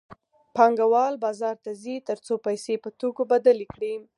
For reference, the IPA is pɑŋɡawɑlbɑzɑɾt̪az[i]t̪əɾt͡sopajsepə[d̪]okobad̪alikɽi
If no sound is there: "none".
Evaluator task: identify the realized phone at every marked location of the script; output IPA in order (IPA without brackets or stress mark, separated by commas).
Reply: i, t̪